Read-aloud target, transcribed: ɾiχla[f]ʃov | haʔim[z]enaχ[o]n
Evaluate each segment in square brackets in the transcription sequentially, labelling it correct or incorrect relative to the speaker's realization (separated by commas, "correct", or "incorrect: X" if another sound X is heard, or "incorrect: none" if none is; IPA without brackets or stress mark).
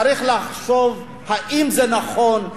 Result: incorrect: χ, correct, correct